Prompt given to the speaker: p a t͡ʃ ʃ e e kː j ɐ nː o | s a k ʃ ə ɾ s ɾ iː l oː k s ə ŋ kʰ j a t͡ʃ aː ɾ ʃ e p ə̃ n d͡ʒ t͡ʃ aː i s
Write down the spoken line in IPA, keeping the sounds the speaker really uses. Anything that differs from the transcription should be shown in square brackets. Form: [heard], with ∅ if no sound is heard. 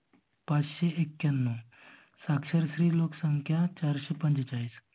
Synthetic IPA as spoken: p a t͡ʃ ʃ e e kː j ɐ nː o | s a k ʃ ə ɾ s ɾ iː l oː k s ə ŋ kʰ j a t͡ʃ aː ɾ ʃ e p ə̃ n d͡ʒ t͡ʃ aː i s